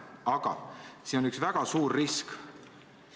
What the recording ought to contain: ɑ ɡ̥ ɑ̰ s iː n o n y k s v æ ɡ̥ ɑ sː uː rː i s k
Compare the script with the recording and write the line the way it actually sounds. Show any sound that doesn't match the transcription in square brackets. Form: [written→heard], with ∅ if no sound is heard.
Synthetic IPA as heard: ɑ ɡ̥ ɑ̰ s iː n o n y k s v æ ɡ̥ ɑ [sː→s] uː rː i s k